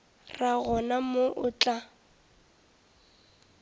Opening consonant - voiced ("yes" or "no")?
yes